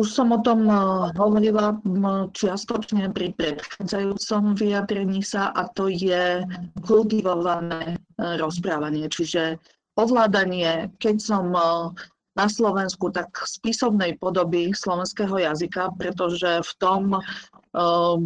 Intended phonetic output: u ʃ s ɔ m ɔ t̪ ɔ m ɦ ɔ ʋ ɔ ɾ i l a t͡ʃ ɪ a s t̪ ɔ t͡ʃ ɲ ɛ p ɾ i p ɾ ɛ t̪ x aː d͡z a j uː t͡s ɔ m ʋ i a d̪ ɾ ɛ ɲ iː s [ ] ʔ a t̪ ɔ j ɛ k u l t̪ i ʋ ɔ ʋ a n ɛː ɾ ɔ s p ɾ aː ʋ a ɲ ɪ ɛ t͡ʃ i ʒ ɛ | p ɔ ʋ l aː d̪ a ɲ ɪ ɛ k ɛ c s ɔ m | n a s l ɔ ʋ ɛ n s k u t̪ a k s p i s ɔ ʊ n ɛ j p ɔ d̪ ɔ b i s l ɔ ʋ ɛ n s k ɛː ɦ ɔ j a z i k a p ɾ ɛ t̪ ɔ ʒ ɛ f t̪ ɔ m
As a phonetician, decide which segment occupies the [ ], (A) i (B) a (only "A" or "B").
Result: B